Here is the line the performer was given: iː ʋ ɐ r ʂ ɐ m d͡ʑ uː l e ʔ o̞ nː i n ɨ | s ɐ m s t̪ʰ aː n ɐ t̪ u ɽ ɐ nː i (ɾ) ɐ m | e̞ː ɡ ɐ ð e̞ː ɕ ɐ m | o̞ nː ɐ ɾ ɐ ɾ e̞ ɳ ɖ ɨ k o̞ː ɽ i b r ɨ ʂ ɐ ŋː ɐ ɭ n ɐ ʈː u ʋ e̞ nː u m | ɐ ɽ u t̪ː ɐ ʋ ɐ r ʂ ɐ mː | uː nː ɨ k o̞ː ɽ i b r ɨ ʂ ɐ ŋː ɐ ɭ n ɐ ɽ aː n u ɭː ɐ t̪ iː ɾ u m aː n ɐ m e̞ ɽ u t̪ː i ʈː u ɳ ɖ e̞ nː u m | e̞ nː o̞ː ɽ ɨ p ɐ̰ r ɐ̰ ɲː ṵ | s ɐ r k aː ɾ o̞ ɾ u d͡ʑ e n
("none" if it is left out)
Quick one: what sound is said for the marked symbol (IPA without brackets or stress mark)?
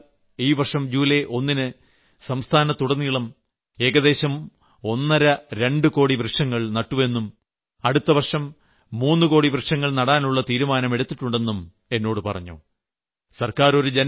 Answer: ɭ